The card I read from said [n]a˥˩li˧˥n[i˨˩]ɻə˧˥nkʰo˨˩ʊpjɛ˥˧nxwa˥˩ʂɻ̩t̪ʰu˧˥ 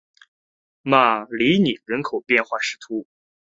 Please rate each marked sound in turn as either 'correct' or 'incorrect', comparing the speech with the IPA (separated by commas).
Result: incorrect, correct